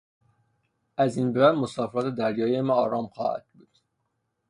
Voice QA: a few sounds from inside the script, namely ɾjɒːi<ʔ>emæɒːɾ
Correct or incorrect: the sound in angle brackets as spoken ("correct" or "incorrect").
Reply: incorrect